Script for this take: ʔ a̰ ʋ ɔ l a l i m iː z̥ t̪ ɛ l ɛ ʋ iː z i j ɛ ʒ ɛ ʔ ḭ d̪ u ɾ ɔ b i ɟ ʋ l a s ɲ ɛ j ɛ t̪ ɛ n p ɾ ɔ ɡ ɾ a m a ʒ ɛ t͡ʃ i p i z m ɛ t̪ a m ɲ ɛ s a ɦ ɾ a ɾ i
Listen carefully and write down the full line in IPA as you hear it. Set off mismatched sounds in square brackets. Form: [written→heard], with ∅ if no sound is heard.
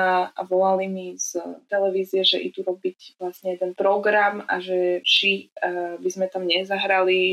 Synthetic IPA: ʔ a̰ ʋ ɔ l a l i m [iː→i] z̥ t̪ ɛ l ɛ ʋ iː z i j ɛ ʒ ɛ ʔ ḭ d̪ u ɾ ɔ b i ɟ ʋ l a s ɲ ɛ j ɛ [t̪→d̪] ɛ n p ɾ ɔ ɡ ɾ a m a ʒ ɛ t͡ʃ i [p→b] i z m ɛ t̪ a m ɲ ɛ [s→z] a ɦ ɾ a [ɾ→l] i